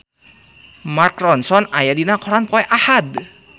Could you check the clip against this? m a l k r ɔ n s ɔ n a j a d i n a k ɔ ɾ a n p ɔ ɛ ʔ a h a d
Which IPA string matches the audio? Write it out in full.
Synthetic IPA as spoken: m a r k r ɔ n s ɔ n a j a d i n a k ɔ ɾ a n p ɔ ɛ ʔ a h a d